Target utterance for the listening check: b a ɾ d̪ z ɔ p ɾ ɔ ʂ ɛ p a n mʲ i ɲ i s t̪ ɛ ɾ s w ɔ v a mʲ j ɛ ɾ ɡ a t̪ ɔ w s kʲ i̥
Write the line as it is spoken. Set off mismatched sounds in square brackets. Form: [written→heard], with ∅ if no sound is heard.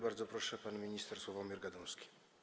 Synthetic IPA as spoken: b a ɾ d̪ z ɔ p ɾ ɔ ʂ ɛ p a n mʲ i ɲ i s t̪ ɛ ɾ s w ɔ v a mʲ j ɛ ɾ ɡ a [t̪→d̪] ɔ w s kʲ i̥